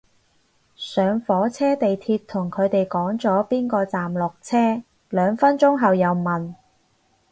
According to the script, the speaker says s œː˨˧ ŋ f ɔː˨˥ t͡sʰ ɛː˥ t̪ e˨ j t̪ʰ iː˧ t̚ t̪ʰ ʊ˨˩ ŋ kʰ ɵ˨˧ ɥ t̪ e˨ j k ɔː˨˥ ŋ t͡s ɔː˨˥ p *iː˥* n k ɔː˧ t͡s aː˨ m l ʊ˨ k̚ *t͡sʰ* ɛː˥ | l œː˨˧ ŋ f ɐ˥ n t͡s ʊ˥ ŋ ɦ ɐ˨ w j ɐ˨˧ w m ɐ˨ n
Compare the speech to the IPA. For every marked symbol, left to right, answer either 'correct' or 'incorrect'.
correct, correct

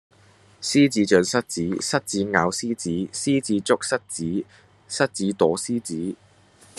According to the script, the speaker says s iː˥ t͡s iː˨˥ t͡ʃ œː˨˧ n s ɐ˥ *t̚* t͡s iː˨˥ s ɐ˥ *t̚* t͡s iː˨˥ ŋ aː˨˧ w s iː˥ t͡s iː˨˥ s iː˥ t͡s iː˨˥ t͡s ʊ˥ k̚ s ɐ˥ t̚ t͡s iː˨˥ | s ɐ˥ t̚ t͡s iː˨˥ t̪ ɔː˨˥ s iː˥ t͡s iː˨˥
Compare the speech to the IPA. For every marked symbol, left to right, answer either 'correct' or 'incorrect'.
correct, correct

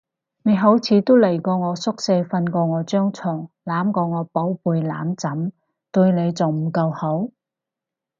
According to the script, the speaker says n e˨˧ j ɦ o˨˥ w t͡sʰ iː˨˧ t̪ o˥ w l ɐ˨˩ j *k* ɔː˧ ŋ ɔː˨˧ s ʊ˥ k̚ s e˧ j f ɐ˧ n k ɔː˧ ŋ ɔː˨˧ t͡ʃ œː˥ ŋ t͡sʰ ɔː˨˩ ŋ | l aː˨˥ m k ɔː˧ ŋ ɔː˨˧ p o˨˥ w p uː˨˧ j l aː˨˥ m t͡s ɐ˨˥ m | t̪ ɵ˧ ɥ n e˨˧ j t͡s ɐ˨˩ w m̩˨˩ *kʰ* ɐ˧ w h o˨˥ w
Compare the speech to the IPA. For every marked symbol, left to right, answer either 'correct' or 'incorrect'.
correct, incorrect: k

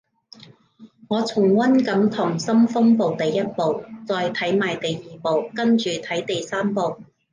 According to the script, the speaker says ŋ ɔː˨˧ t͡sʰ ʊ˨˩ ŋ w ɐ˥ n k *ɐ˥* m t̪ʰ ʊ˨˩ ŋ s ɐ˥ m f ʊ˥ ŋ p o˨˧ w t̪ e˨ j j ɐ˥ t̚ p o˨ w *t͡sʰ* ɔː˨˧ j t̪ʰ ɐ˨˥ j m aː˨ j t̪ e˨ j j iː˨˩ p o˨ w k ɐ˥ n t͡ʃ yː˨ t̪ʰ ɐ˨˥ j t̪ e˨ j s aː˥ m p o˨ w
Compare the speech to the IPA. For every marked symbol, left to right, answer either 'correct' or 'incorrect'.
incorrect: ɐ˨˥, incorrect: t͡s

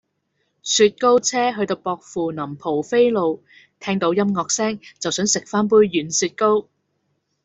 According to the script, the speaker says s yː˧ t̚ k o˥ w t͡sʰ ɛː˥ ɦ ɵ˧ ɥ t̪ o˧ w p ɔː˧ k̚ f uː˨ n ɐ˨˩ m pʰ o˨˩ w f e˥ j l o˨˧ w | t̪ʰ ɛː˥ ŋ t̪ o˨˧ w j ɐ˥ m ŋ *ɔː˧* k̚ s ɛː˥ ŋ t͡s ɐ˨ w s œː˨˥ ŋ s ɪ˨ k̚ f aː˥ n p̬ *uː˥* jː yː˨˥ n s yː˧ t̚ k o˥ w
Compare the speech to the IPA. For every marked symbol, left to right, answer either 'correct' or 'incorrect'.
correct, correct

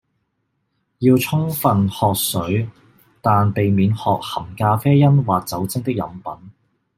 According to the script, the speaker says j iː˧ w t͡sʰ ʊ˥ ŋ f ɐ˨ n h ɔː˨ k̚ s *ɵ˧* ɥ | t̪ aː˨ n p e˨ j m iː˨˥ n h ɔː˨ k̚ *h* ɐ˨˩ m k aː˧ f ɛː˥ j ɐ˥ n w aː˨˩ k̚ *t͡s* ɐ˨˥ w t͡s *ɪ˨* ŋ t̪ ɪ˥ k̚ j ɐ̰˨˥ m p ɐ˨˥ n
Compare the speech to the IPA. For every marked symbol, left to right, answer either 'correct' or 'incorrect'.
incorrect: ɵ˨˥, correct, correct, incorrect: ɪ˥

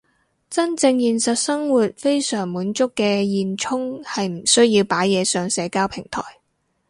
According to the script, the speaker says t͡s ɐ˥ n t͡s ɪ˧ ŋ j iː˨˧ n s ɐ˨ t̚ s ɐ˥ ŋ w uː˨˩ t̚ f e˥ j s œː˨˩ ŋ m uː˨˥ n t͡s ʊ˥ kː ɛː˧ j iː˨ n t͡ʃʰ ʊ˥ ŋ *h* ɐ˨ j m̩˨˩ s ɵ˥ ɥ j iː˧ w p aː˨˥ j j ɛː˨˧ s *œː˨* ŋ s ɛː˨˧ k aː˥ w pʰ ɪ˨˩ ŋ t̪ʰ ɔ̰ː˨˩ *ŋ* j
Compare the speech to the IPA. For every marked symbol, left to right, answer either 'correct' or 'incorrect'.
correct, correct, incorrect: none

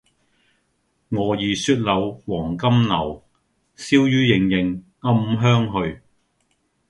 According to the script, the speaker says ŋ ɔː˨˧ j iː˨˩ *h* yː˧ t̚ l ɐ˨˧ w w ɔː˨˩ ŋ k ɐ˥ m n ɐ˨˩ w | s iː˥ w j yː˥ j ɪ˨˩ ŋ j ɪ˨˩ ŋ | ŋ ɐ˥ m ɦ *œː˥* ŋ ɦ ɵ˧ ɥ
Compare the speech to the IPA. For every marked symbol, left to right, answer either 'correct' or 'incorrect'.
incorrect: s, correct

